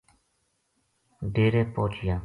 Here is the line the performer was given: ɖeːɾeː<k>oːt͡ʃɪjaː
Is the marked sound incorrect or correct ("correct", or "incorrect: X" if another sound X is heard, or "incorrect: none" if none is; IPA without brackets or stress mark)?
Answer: incorrect: p